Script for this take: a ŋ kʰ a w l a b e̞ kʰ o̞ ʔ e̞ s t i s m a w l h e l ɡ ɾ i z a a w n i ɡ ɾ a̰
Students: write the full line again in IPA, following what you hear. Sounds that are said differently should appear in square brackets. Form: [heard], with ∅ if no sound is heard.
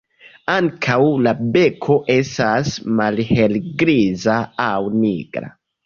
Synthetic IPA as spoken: a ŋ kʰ a w l a b e̞ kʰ o̞ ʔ e̞ s t [a] s m a [∅] l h e l ɡ ɾ i z a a w n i ɡ ɾ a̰